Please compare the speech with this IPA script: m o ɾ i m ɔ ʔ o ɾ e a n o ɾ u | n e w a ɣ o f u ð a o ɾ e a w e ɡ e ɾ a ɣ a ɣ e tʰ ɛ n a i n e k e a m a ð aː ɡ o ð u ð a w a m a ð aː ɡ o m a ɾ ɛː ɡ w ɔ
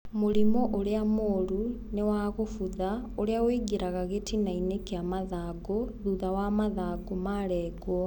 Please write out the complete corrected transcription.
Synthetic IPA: m o ɾ i m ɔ ʔ o ɾ e a m o ɾ u | n e w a ɣ o f u ð a o ɾ e a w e ɡ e ɾ a ɣ a ɣ e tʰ i n a i n e k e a m a ð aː ɡ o ð u ð a w a m a ð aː ɡ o m a ɾ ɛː ɡ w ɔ